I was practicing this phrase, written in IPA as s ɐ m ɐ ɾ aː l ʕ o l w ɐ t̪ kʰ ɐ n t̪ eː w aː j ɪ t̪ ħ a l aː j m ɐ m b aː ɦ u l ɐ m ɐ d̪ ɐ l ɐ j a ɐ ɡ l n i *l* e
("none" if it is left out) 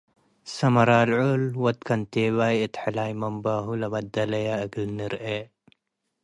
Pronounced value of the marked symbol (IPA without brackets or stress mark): ɾ